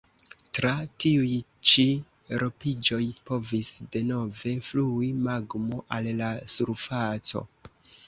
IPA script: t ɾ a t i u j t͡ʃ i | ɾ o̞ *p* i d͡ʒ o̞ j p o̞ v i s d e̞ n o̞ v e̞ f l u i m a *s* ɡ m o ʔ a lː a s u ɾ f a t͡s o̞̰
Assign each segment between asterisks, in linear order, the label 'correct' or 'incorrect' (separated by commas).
correct, incorrect